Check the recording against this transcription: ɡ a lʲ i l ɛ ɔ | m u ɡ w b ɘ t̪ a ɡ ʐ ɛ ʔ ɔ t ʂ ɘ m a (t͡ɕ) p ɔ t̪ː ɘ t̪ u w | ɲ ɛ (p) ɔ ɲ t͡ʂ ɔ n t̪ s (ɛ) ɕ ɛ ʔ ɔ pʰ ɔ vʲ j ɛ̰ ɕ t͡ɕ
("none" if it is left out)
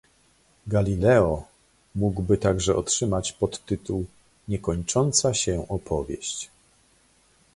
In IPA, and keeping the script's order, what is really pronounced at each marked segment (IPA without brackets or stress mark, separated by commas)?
t͡ɕ, k, a